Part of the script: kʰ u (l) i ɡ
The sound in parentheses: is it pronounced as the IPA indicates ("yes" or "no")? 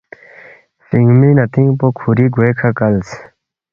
no